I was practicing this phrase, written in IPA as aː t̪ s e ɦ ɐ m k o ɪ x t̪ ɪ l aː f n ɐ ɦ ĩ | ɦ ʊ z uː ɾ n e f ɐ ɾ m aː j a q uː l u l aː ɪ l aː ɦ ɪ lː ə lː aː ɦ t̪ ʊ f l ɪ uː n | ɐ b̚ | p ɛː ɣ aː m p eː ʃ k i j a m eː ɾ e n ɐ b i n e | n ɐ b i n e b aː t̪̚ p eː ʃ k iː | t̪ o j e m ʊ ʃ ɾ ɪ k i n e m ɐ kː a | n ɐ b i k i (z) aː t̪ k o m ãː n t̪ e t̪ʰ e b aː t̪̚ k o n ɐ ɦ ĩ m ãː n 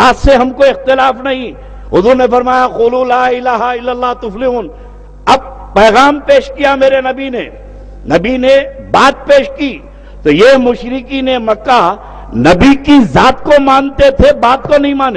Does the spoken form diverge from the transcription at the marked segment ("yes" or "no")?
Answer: no